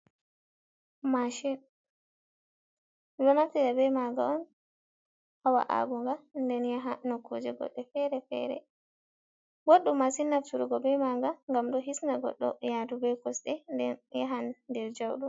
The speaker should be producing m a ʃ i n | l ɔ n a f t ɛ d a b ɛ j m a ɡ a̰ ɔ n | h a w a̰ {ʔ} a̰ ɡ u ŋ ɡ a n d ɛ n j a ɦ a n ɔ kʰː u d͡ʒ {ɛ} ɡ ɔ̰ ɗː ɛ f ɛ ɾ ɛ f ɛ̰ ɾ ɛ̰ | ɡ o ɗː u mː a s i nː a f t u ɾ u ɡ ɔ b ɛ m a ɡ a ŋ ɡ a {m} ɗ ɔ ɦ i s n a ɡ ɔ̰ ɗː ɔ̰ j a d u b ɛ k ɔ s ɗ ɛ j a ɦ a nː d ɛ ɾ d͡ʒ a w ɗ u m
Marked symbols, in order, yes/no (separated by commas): yes, yes, yes